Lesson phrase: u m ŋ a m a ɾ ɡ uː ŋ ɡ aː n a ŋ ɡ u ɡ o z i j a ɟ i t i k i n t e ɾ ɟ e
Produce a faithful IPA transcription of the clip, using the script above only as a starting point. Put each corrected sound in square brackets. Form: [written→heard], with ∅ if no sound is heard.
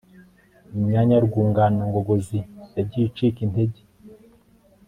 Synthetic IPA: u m [ŋ→ɲ] a [m→ɲ] a ɾ ɡ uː ŋ ɡ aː n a ŋ ɡ [u→o] ɡ o z i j a ɟ i [t→t͡ʃ] i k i n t e [ɾ→∅] ɟ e